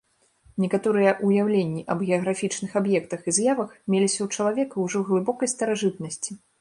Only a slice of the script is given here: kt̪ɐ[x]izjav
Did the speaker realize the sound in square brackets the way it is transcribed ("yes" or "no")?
yes